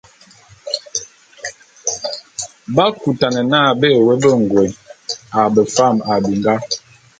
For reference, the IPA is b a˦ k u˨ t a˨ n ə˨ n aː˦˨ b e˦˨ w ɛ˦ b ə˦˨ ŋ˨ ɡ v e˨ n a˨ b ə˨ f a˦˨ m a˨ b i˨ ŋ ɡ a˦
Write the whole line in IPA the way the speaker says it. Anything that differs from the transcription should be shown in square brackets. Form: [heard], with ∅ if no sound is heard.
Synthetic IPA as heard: b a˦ k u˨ t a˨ n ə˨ n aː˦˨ b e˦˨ w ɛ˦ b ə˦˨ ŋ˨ ɡ [w] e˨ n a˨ b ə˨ f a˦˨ m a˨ b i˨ ŋ ɡ a˦